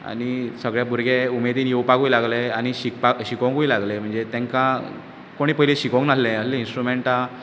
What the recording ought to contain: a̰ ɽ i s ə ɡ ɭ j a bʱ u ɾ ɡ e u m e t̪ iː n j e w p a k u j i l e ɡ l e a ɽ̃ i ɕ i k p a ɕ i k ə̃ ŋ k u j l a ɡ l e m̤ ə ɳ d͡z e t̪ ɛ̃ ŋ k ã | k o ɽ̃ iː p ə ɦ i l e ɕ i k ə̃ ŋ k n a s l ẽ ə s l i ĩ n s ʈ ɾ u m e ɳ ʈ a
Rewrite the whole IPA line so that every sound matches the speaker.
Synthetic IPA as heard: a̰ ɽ i s ə ɡ ɭ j a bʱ u ɾ ɡ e u m e d̪ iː n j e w p a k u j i l a ɡ l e a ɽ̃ i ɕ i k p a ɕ i k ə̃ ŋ k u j l a ɡ l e m̤ ə ɳ d͡z e t̪ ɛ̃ ŋ k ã | k o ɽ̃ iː p ə ɦ i l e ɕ i k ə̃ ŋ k n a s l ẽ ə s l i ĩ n s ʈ ɾ u m e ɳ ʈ a